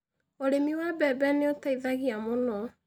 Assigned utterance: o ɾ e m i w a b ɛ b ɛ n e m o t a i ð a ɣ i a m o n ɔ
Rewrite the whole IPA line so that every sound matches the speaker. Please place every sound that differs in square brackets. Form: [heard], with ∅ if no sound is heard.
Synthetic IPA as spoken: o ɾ e m i w a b ɛ b ɛ n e [∅] o t a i ð a ɣ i a m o n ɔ